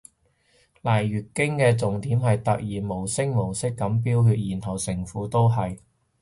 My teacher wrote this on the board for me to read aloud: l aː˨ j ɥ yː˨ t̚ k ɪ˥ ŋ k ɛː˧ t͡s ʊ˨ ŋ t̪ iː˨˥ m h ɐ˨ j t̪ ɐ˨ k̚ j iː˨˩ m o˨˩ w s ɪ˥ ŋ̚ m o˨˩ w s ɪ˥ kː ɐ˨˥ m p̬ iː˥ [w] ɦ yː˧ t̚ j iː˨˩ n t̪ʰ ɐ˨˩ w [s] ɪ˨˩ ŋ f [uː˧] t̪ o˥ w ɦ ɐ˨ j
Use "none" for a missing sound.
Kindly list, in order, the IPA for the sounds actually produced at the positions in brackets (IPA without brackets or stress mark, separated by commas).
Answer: w, s, uː˨˥